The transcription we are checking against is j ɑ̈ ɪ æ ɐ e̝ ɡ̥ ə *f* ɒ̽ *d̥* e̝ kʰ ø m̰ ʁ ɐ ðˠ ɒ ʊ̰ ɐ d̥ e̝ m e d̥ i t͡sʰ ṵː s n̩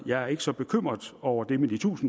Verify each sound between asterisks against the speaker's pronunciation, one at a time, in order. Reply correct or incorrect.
incorrect: s, incorrect: b̥

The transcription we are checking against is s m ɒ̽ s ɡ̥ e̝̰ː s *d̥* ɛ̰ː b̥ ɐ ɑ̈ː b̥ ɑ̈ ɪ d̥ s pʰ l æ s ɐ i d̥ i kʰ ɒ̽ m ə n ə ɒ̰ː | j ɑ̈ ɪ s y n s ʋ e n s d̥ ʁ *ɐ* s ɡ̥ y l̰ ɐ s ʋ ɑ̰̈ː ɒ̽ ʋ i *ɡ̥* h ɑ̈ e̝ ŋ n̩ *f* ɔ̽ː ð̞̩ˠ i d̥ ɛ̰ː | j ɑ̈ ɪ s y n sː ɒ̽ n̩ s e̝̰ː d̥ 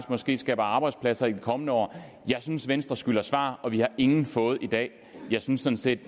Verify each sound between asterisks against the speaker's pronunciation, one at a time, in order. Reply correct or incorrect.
incorrect: ɡ̥, correct, incorrect: none, correct

